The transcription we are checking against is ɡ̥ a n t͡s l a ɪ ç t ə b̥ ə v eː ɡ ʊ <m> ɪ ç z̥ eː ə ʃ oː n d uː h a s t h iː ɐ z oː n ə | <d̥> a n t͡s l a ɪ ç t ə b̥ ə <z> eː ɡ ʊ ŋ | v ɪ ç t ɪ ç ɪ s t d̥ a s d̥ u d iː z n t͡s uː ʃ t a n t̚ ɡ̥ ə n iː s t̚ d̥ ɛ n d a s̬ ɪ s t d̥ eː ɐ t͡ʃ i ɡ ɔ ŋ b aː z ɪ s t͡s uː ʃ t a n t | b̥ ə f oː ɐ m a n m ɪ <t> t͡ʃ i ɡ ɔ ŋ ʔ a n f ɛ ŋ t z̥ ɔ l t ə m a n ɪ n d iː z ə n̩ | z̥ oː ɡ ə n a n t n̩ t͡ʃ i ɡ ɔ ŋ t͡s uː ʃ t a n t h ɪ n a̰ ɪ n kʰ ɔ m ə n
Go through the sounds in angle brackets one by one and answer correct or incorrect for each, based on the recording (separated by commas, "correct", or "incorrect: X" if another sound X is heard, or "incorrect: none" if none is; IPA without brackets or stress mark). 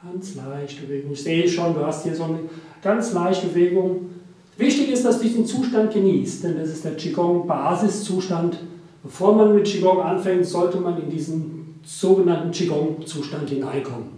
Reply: incorrect: ŋ, incorrect: ɡ̥, incorrect: v, correct